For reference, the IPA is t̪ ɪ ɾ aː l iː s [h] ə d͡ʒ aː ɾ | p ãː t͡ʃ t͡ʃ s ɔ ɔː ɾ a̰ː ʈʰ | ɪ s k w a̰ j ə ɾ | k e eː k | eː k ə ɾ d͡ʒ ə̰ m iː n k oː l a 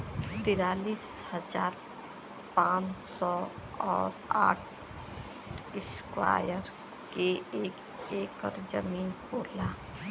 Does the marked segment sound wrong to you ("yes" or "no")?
no